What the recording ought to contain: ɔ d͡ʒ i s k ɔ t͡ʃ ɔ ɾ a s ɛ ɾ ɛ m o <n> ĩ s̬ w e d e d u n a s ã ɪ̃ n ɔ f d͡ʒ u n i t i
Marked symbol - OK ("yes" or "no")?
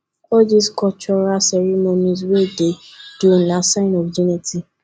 yes